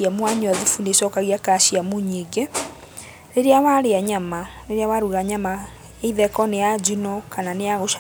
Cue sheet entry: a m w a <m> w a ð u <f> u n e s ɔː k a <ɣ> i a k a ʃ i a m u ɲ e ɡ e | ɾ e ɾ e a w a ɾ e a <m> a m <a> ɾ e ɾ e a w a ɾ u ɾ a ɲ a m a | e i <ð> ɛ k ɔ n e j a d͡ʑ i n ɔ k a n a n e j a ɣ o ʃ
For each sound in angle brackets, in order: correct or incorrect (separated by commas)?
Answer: incorrect, correct, correct, incorrect, correct, correct